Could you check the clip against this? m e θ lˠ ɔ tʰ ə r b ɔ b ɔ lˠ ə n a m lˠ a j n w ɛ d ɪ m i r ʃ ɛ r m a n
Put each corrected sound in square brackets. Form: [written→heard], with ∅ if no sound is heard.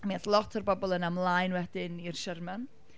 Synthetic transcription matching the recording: m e θ lˠ ɔ tʰ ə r b ɔ b ɔ lˠ ə n a m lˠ a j n w ɛ d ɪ [m→n] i r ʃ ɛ r m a n